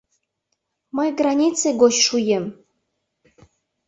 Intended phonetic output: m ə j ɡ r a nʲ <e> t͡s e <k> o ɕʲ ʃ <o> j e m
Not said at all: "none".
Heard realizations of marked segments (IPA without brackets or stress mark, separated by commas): i, ɡ, u